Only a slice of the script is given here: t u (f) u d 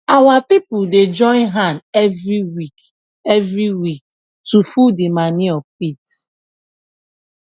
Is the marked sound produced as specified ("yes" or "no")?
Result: yes